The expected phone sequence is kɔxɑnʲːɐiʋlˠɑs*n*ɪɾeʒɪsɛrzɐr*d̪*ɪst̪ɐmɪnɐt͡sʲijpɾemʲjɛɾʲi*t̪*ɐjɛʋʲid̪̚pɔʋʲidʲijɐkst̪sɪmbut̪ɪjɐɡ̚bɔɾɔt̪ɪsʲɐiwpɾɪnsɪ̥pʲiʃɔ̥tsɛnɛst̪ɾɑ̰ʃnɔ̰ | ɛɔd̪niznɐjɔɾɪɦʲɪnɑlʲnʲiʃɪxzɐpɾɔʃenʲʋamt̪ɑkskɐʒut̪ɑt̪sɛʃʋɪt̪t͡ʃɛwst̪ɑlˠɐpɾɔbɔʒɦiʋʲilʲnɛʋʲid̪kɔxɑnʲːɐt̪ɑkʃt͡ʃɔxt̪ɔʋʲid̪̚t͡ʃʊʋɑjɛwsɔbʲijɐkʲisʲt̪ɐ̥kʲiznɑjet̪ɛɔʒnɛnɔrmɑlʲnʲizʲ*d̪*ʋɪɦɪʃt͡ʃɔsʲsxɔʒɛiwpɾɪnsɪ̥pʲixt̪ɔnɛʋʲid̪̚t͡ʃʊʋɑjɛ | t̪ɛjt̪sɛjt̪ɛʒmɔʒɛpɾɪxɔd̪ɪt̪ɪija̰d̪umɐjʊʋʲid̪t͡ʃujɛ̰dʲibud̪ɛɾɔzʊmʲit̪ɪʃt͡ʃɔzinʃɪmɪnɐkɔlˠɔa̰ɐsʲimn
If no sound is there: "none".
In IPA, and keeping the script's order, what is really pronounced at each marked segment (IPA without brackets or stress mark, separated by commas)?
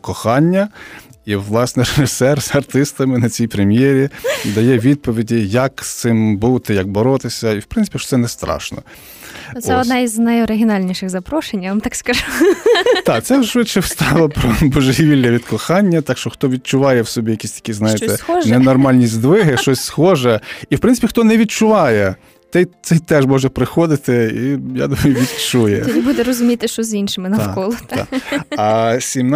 n, t̪, d̪, d̪